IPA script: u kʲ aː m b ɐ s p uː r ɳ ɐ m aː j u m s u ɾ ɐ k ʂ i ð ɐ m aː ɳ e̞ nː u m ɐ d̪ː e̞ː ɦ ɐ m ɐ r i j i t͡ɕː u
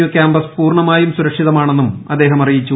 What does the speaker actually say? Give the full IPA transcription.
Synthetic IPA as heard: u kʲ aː m b ɐ s p uː r ɳ ɐ m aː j u m s u ɾ ɐ k ʂ i ð ɐ m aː ɳ e̞ nː u m ɐ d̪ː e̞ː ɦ ɐ m ɐ r i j i t͡ɕː u